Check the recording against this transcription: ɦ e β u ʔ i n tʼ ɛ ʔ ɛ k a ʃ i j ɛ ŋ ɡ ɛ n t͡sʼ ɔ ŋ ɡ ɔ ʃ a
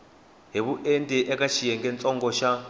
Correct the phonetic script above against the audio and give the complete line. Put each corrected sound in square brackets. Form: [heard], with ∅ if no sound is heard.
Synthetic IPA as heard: ɦ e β u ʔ [e] n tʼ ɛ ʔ ɛ k a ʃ i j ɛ ŋ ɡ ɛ n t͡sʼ ɔ ŋ ɡ ɔ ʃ a